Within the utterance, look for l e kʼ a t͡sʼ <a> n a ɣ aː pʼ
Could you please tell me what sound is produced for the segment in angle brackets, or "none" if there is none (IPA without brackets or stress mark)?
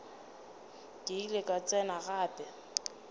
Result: ɛ